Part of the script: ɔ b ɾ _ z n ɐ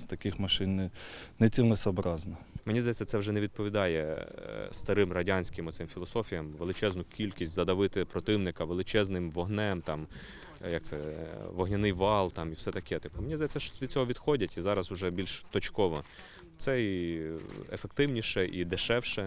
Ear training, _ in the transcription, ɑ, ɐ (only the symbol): ɑ